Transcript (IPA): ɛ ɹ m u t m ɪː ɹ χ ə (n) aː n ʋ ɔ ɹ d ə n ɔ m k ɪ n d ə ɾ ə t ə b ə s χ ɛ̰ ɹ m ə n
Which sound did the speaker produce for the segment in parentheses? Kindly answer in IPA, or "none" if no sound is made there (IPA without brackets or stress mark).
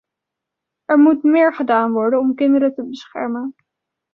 d